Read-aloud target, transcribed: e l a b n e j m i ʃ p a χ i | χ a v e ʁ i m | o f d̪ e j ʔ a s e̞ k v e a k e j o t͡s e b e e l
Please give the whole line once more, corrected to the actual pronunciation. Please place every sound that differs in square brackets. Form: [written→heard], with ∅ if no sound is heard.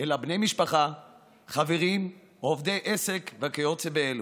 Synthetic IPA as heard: e l a b n e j m i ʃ p a χ [i→a] | χ a v e ʁ i m | o [f→v] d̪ e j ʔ [a→e] s e̞ k v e a k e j o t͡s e b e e l